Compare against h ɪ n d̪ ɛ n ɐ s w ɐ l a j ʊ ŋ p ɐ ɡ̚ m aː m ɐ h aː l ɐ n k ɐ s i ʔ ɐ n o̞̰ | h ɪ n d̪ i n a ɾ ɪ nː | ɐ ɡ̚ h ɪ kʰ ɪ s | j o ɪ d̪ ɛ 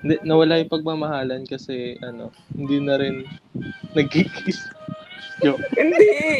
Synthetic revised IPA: h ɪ n d̪ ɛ n ɐ w ɐ l a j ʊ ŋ p ɐ ɡ̚ m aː m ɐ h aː l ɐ n k ɐ s ɛ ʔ ɐ n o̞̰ | h ɪ n d̪ i n ɐ ɾ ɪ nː | ɐ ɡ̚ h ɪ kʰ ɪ s | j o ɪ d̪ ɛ